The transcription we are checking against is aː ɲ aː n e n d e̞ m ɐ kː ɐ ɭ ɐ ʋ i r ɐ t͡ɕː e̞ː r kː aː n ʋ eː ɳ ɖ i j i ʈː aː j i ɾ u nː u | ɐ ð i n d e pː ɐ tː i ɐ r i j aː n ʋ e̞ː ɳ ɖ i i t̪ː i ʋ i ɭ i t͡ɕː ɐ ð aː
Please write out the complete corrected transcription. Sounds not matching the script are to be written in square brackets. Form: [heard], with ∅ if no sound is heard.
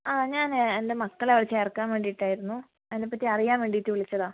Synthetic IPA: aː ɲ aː n e n d e̞ m ɐ kː ɐ ɭ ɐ ʋ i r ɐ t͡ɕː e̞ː r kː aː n ʋ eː ɳ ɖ i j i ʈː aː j i ɾ u nː u | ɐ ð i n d e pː ɐ tː i ɐ r i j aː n ʋ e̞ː ɳ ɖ i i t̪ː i ʋ i ɭ i t͡ɕː ɐ ð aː